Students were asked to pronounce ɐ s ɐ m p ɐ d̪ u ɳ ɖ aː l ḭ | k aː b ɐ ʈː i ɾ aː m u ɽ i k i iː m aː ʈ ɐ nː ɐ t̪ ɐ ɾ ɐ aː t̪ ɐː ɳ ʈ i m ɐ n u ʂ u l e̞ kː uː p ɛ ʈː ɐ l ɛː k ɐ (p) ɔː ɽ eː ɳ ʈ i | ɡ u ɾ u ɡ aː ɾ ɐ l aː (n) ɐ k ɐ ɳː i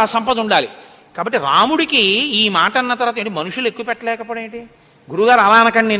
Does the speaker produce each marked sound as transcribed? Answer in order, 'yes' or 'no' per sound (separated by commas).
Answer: yes, yes